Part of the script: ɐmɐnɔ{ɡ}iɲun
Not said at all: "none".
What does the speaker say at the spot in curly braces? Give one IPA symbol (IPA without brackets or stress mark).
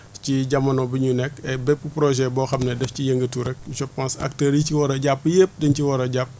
b